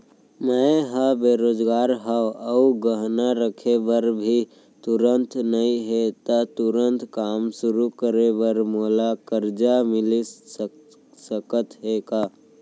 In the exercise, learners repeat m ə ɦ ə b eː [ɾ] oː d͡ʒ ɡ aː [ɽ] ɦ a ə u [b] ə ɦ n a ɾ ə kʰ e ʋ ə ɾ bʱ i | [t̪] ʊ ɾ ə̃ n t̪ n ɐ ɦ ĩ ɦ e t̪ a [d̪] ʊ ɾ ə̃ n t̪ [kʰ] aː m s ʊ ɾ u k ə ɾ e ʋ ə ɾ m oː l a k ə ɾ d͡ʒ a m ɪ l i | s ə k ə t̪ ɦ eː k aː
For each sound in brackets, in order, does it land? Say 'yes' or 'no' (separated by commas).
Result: yes, no, no, yes, no, no